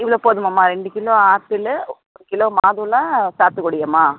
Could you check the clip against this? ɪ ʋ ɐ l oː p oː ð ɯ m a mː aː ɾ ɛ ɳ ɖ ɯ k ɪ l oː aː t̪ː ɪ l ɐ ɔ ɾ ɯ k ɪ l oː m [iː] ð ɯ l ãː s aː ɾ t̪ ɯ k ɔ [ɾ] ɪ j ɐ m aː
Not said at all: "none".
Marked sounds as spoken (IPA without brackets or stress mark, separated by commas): aː, ɽ